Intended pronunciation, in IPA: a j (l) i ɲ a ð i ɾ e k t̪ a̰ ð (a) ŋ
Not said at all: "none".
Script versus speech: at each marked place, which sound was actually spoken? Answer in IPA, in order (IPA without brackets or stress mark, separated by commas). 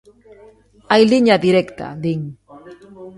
l, i